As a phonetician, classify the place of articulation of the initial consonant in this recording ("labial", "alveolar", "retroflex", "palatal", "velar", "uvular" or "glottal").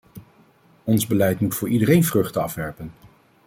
alveolar